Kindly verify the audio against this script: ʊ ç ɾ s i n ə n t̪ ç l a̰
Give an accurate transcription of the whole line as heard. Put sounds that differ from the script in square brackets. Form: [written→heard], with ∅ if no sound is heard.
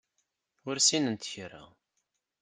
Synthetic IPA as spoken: ʊ [ç→∅] ɾ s i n ə n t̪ ç [l→ɾ] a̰

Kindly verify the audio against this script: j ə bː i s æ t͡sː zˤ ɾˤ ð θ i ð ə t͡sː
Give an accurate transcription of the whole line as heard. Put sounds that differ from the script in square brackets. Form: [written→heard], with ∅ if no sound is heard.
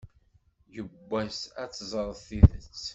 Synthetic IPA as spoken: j ə bː [i→æ] s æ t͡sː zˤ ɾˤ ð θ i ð ə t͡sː

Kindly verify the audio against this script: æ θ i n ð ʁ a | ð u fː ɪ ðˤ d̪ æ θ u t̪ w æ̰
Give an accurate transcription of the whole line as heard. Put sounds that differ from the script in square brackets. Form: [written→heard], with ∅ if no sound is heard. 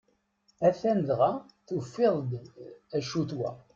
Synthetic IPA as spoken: æ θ [i→æ] n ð ʁ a | [ð→θ] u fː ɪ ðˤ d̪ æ [θ→ʃ] u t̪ w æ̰

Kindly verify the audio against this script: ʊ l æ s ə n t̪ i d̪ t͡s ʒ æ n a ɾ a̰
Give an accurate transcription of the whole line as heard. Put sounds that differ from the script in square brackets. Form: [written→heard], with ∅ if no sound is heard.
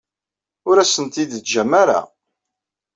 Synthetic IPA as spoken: ʊ [l→ɾ] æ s ə n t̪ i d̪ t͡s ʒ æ [n→m] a ɾ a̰

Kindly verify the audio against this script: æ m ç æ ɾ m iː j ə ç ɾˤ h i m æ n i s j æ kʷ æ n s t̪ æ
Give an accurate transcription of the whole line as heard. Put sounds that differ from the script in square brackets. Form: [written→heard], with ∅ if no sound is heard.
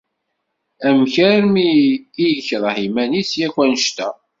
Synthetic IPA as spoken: æ m ç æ ɾ m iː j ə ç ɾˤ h i m æ n i s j æ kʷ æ n [s→ʃ] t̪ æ

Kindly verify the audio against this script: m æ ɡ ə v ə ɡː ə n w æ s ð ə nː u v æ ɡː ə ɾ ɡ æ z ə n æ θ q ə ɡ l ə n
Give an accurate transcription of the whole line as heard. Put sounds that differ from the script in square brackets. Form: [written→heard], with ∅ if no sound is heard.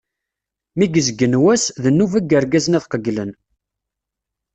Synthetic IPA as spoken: m [æ→i] ɡ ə [v→z] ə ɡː ə n w æ s ð ə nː u v æ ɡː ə ɾ ɡ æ z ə n æ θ q ə ɡ l ə n

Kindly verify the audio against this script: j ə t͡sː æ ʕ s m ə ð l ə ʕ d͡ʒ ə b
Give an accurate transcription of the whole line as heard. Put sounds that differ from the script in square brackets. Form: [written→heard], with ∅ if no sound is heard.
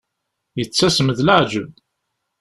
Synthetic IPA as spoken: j ə t͡sː æ [ʕ→∅] s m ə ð l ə ʕ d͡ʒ ə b

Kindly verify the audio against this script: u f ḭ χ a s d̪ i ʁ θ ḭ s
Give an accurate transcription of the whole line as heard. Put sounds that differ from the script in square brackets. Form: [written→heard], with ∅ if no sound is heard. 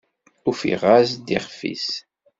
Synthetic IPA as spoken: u f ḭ [χ→ʁ] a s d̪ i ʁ [θ→f] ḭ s

